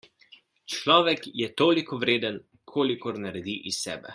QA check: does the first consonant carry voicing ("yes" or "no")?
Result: no